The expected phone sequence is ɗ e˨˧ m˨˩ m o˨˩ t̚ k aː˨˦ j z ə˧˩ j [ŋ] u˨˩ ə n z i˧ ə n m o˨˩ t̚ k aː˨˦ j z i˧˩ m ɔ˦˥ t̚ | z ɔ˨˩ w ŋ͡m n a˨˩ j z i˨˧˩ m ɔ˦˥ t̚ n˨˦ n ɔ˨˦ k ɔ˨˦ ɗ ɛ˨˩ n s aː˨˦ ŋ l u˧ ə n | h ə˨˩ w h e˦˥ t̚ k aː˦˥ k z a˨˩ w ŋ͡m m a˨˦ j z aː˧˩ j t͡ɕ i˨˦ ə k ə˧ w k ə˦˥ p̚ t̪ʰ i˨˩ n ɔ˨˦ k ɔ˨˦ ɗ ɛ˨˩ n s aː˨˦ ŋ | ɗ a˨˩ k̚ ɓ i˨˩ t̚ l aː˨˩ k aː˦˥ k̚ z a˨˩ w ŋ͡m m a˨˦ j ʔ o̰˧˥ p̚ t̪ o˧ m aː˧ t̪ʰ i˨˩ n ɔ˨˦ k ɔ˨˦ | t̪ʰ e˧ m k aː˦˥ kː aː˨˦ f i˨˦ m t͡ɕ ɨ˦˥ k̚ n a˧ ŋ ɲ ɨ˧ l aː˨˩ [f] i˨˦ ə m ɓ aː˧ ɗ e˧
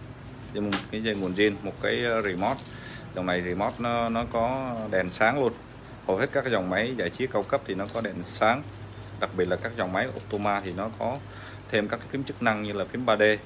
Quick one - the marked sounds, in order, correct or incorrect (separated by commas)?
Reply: correct, correct